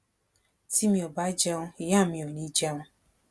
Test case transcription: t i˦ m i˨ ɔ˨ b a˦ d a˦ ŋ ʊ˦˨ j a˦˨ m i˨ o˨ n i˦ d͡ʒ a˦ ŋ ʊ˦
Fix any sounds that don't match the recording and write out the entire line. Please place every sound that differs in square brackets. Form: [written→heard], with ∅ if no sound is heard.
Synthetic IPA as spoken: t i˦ m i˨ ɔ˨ b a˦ [d→d͡ʒ] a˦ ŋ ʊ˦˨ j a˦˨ m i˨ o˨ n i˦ d͡ʒ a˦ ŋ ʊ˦